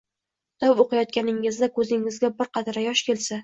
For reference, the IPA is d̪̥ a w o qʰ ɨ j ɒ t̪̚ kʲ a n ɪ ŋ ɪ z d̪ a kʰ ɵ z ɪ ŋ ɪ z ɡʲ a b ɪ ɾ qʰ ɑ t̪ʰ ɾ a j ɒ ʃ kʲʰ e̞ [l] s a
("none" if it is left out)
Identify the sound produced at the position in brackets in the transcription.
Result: l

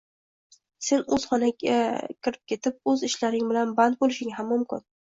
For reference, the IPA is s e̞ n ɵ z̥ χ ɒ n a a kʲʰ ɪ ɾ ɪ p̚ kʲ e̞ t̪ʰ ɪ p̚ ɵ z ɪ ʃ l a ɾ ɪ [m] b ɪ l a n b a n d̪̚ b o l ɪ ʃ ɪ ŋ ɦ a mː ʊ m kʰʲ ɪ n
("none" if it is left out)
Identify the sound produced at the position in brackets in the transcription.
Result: ŋ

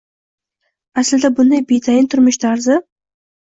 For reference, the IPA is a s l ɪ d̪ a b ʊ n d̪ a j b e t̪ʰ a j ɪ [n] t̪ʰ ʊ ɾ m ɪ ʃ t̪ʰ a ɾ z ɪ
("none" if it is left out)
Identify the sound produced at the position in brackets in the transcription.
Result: n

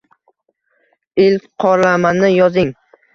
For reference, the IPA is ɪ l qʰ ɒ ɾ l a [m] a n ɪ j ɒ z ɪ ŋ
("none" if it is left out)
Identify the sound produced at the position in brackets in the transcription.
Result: m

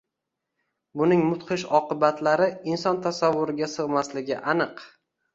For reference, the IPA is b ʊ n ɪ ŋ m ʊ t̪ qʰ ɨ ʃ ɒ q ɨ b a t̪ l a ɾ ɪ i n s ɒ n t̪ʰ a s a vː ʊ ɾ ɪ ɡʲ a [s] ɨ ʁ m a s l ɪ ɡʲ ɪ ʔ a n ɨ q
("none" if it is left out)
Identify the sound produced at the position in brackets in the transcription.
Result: s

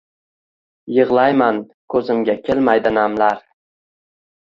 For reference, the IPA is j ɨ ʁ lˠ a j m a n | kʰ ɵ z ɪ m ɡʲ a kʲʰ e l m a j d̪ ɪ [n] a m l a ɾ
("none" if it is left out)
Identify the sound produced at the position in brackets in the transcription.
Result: n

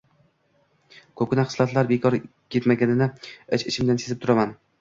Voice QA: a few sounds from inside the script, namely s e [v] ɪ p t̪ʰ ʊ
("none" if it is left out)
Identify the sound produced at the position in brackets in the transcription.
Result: z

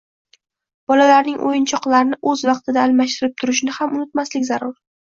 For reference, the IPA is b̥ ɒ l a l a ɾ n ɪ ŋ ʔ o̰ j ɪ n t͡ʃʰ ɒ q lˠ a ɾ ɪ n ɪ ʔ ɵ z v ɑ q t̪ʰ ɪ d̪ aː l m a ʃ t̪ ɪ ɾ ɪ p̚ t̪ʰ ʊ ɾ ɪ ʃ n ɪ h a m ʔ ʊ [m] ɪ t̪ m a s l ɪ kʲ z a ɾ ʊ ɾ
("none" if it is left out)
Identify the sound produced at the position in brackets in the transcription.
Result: n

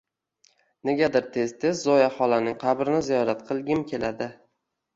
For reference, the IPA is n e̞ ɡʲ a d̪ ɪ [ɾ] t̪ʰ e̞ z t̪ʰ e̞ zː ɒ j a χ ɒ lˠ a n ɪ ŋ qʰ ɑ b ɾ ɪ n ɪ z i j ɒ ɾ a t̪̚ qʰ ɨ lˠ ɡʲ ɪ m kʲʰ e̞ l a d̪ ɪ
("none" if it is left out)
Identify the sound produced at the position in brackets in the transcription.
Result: ɾ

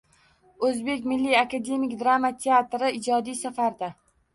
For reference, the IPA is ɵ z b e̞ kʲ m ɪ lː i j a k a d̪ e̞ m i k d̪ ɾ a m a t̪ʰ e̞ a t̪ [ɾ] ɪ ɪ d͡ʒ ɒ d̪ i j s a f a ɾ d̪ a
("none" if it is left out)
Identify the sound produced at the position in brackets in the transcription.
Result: ɾ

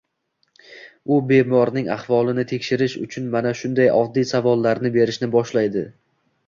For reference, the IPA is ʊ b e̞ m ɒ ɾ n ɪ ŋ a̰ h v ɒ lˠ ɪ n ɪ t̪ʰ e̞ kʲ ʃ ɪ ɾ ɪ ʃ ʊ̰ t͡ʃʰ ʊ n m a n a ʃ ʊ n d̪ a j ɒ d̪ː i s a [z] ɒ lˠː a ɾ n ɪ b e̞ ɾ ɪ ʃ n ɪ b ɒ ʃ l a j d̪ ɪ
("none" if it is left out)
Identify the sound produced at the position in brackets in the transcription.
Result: v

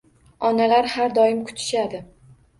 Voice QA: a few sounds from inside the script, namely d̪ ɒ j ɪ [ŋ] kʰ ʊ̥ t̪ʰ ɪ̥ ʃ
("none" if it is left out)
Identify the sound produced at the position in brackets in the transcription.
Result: m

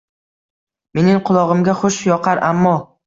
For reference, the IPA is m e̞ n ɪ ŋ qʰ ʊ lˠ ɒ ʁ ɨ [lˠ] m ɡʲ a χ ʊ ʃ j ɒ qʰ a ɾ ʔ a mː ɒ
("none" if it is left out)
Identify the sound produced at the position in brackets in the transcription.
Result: none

